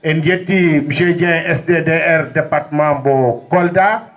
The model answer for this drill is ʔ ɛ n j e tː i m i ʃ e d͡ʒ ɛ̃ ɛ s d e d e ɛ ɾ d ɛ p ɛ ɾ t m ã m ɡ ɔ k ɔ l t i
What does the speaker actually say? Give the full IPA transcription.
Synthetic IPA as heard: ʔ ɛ n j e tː i m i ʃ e d͡ʒ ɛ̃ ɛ s d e d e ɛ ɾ d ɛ p a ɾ t m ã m b ɔ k ɔ l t a